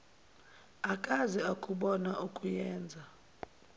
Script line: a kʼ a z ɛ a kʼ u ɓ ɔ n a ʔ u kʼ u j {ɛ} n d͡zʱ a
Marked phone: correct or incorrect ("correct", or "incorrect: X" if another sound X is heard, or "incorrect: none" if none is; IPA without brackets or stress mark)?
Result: incorrect: ɛː